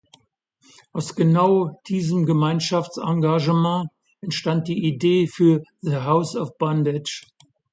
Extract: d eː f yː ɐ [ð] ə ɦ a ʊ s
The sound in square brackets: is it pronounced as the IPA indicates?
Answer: yes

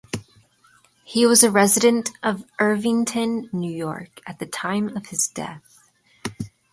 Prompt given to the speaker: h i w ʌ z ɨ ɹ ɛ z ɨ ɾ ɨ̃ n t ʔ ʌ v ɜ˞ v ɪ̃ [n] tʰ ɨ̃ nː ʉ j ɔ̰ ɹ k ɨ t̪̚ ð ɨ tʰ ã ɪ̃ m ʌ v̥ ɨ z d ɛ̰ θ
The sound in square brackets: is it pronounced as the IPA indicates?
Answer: no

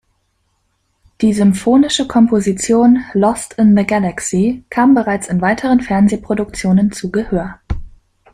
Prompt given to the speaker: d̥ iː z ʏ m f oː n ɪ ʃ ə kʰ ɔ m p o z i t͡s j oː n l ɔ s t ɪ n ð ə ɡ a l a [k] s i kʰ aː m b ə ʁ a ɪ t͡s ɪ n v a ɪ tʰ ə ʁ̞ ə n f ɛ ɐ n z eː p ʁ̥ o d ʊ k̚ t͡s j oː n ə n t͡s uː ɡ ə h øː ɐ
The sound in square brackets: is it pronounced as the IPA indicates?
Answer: yes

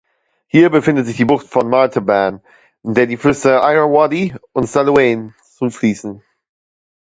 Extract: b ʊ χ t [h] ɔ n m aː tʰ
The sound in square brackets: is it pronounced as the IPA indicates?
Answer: no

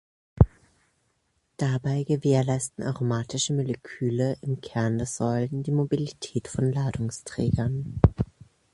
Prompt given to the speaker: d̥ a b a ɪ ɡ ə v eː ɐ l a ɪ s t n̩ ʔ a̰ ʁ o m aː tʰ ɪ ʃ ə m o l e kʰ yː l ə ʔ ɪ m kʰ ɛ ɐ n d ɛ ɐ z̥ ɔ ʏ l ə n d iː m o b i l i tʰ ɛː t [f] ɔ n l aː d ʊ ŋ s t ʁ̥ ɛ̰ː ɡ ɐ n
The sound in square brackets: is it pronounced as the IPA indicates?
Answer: yes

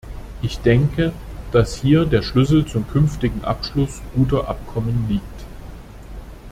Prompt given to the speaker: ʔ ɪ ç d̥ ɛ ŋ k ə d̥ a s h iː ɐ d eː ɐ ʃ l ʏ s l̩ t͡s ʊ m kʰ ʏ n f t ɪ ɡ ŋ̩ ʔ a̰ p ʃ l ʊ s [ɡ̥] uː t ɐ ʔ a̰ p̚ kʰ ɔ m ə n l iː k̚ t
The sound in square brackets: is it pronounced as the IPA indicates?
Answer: yes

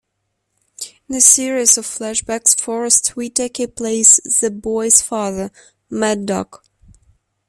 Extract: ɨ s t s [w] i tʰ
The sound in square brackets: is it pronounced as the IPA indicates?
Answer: yes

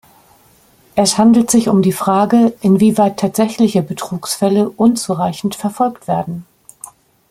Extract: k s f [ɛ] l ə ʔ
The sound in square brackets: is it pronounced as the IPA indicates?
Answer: yes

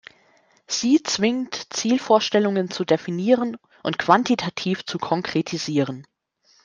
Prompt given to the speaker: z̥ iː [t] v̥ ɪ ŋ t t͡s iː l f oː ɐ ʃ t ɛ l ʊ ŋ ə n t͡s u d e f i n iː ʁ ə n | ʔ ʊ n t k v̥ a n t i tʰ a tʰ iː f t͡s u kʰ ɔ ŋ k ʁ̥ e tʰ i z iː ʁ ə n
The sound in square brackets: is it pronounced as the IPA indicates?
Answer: no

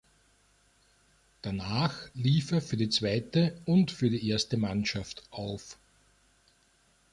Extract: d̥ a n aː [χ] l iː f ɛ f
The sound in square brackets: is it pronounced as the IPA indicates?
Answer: no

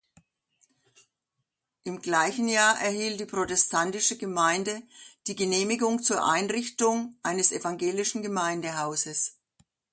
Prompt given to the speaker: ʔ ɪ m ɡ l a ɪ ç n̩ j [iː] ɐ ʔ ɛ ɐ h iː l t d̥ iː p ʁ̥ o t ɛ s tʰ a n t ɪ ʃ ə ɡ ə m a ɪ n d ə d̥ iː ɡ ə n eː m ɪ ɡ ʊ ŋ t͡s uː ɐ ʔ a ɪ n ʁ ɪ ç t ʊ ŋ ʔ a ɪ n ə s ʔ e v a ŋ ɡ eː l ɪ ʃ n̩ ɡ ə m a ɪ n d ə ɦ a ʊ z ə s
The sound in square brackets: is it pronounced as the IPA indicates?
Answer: no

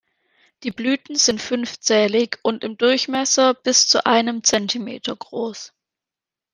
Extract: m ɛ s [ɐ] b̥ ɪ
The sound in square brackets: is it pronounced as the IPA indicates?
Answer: yes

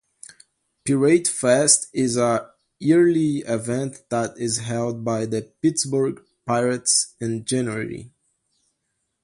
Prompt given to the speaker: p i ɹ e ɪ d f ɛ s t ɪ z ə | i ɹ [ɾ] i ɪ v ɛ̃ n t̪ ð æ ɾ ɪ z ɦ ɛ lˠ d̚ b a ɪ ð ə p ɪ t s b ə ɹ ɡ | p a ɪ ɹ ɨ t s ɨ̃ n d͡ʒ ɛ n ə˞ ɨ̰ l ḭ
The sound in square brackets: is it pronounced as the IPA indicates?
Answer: no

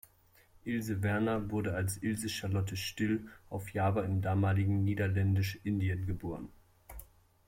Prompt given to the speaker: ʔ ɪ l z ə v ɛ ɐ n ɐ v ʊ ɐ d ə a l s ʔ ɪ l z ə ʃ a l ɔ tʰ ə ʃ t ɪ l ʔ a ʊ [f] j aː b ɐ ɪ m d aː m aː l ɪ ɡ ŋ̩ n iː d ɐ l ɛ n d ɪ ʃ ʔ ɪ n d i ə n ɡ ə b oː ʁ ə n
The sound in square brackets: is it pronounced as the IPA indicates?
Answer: yes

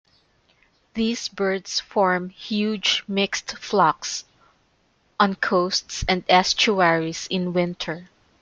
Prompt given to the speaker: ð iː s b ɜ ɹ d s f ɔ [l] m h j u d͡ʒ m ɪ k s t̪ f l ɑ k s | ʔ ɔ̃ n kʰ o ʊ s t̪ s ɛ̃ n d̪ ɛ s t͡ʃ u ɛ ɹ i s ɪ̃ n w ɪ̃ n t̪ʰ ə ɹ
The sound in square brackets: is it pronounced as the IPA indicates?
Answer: no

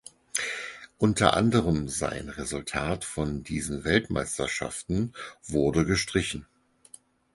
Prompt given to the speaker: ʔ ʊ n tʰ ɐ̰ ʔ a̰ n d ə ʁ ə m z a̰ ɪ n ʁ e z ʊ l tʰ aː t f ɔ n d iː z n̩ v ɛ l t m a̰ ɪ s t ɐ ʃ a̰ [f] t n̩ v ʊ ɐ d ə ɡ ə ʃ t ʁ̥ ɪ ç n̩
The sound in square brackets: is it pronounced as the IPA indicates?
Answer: yes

